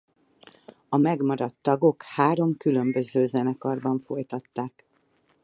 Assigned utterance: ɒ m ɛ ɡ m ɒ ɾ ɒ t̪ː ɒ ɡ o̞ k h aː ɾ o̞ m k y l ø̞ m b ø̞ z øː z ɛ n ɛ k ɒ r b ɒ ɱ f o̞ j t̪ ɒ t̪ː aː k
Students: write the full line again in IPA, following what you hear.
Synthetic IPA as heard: ɒ m ɛ ɡ m ɒ ɾ ɒ t̪ː ɒ ɡ o̞ k h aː ɾ o̞ m k y l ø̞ m b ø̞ z øː z ɛ n ɛ k ɒ r b ɒ ɱ f o̞ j t̪ ɒ t̪ː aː k